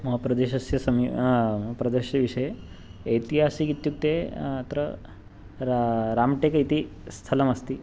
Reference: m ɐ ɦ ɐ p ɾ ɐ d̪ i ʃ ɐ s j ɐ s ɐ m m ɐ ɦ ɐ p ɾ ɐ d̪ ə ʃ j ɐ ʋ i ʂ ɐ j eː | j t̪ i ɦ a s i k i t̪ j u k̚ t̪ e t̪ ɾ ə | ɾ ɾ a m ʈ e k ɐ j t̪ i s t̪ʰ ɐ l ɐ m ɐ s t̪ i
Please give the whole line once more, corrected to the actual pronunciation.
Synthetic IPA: m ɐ ɦ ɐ p ɾ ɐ d̪ e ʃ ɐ s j ɐ s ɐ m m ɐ ɦ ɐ p ɾ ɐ d̪ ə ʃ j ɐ ʋ i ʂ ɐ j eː | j t̪ i ɦ a s i k i t̪ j u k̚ t̪ e t̪ ɾ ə | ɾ ɾ a m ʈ e k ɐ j t̪ i s t̪ʰ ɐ l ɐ m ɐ s t̪ i

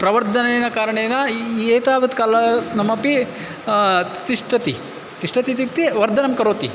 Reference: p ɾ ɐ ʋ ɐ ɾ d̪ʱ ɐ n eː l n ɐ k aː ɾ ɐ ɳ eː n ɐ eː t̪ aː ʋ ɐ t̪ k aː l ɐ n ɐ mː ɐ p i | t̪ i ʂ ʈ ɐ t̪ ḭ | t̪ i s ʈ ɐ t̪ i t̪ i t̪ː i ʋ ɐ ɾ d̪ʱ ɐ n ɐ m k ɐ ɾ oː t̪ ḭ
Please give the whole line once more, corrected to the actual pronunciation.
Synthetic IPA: p ɾ ɐ ʋ ɐ ɾ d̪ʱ ɐ n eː n ɐ k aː ɾ ɐ ɳ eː n ɐ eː t̪ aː ʋ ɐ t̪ k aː l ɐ n ɐ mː ɐ p i | t̪ i ʂ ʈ ɐ t̪ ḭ | t̪ i ʂ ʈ ɐ t̪ i t̪ i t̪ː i ʋ ɐ ɾ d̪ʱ ɐ n ɐ m k ɐ ɾ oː t̪ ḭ

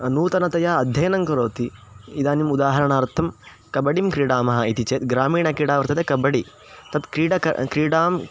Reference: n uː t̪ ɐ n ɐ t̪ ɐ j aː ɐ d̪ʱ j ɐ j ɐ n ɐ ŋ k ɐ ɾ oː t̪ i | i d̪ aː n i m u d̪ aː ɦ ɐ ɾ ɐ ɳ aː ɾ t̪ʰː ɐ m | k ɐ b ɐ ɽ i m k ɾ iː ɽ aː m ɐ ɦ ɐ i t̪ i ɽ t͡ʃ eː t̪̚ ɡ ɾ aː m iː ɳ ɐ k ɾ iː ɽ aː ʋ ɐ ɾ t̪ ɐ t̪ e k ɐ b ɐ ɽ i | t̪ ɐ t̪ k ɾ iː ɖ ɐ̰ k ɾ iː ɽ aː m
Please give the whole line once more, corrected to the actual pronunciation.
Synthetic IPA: n uː t̪ ɐ n ɐ t̪ ɐ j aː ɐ d̪ʱ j ɐ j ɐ n ɐ ŋ k ɐ ɾ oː t̪ i | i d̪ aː n i m u d̪ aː ɦ ɐ ɾ ɐ ɳ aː ɾ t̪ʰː ɐ m | k ɐ b ɐ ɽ i m k ɾ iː ɽ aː m ɐ ɦ ɐ i t̪ i t͡ʃ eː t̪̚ ɡ ɾ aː m iː ɳ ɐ k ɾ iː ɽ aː ʋ ɐ ɾ t̪ ɐ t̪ e k ɐ b ɐ ɽ i | t̪ ɐ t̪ k ɾ iː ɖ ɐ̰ k ɾ iː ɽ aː m

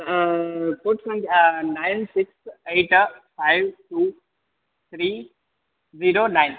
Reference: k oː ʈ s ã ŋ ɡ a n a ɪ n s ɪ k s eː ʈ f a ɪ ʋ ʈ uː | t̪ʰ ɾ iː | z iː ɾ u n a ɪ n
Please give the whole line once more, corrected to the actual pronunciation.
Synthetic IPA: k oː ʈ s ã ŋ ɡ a n a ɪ n s ɪ k s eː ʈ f a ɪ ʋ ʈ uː | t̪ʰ ɾ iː | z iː ɾ o n a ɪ n

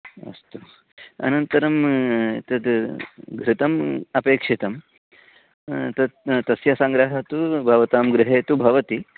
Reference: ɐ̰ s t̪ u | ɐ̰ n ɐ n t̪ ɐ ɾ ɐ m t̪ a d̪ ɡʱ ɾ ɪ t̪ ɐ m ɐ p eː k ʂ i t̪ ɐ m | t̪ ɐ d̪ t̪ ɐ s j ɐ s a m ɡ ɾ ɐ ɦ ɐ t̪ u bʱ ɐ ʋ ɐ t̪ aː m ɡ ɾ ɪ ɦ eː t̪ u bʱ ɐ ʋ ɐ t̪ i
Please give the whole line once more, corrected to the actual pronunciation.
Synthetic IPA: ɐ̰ s t̪ u | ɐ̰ n ɐ n t̪ ɐ ɾ ɐ m t̪ ɐ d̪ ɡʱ ɾ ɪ t̪ ɐ m ɐ p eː k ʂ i t̪ ɐ m | t̪ ɐ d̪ t̪ ɐ s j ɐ s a ŋ ɡ ɾ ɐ ɦ ɐ t̪ u bʱ ɐ ʋ ɐ t̪ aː m ɡ ɾ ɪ ɦ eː t̪ u bʱ ɐ ʋ ɐ t̪ i

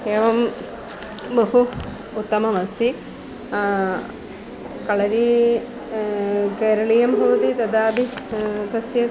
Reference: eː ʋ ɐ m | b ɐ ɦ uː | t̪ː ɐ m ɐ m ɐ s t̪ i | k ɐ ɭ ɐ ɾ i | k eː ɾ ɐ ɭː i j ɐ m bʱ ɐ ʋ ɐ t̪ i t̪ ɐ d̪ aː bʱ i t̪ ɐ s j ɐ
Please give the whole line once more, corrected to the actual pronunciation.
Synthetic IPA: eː ʋ ɐ m | b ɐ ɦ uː | t̪ː ɐ m ɐ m ɐ s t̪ i | k ɐ ɭ ɐ ɾ i | k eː ɾ ɐ ɭ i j ɐ m bʱ ɐ ʋ ɐ t̪ i t̪ ɐ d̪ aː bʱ i t̪ ɐ s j ɐ

